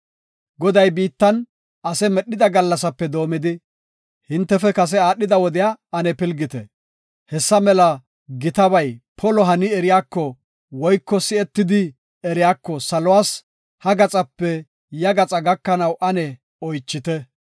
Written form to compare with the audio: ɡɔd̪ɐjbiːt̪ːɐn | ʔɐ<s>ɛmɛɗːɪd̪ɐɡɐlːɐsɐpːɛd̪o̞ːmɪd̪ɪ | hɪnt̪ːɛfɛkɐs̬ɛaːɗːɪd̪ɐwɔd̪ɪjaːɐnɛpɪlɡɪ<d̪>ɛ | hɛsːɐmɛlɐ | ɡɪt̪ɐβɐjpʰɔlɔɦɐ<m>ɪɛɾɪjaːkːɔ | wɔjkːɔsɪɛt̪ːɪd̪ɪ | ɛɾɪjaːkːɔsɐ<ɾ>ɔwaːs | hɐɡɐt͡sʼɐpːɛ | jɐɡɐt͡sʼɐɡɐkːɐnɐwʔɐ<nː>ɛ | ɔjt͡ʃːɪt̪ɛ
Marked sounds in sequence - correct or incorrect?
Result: correct, incorrect: t̪, incorrect: n, incorrect: l, incorrect: n

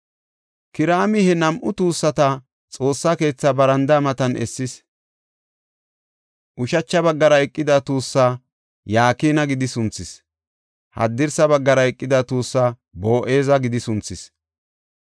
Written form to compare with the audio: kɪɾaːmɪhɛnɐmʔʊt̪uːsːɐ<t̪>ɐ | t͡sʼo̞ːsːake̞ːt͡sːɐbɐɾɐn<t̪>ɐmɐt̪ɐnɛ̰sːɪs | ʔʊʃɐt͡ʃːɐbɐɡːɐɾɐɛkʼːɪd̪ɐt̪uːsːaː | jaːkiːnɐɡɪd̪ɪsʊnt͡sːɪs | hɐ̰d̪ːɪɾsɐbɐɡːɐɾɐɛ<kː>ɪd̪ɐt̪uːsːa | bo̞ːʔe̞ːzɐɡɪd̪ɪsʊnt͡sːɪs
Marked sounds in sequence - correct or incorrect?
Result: correct, incorrect: d̪, incorrect: kʼː

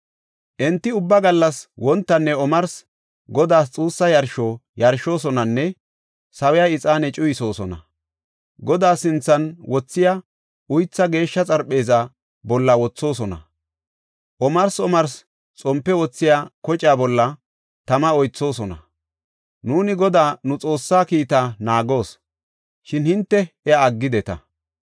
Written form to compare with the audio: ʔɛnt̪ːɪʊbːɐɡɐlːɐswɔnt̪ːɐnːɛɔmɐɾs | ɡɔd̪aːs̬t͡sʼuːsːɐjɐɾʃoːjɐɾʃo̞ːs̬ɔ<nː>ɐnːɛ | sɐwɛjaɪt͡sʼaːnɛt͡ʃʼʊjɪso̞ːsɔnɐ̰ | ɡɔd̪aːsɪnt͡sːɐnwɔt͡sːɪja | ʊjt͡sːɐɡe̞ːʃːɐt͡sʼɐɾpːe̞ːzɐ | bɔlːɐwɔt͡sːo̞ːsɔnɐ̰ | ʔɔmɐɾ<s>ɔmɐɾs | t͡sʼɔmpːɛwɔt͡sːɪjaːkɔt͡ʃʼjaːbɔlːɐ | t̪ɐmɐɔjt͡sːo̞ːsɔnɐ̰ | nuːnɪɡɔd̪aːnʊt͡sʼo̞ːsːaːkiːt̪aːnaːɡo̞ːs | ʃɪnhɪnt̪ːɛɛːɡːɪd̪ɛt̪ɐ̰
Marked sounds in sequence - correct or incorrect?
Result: incorrect: n, correct

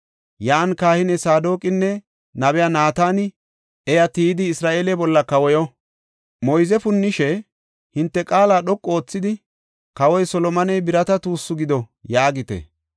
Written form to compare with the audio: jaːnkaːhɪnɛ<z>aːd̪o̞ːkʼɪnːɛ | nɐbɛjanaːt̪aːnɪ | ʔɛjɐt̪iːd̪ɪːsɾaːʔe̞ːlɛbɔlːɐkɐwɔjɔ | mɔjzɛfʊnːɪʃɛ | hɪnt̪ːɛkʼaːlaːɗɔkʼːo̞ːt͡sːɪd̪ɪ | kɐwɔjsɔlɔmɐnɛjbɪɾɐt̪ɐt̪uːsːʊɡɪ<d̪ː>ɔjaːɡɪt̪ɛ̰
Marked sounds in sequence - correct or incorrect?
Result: incorrect: s, incorrect: d̪

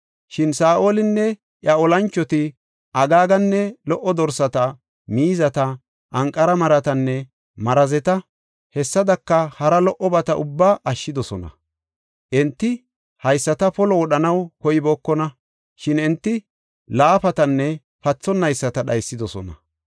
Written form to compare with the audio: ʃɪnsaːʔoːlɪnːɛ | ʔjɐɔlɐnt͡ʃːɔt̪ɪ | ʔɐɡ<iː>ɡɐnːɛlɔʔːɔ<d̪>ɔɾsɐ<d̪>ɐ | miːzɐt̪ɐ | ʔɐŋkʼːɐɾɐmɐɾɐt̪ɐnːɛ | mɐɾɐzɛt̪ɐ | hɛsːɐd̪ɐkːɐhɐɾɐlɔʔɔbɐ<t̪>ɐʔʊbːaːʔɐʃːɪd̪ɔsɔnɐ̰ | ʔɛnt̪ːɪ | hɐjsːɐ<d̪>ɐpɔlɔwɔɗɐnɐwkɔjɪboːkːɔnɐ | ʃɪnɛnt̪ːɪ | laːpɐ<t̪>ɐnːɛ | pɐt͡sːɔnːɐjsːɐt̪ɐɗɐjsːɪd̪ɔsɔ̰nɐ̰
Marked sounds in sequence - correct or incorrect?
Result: incorrect: aː, correct, incorrect: t̪, correct, incorrect: t̪, correct

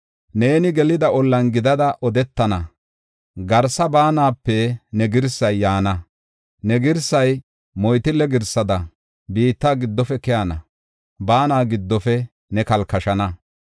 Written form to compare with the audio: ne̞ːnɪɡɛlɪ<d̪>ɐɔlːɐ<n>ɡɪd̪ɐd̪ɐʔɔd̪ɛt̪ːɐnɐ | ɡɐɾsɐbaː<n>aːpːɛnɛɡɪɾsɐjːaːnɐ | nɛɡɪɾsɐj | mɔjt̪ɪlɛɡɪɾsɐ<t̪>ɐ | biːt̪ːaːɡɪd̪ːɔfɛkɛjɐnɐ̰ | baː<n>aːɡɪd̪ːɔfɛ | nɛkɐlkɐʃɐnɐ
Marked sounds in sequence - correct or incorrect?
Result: correct, correct, correct, incorrect: d̪, correct

